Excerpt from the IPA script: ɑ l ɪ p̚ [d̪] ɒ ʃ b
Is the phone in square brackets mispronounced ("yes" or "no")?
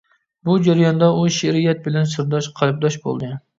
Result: no